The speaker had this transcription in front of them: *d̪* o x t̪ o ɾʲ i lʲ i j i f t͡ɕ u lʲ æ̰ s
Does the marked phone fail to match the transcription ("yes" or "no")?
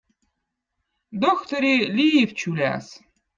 no